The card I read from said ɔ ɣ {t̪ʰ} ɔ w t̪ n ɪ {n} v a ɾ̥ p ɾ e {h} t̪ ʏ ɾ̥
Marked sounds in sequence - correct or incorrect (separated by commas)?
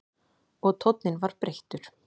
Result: correct, correct, correct